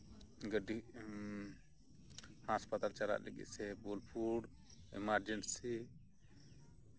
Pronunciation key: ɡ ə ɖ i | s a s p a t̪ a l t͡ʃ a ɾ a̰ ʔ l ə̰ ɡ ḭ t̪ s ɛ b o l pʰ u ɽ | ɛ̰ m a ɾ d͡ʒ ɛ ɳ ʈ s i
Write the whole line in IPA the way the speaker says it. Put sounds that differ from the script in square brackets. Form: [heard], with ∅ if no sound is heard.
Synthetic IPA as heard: ɡ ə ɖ i | [h] a s p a t̪ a l t͡ʃ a ɾ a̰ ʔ l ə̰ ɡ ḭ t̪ s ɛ b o l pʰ u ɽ | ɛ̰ m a ɾ d͡ʒ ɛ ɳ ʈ s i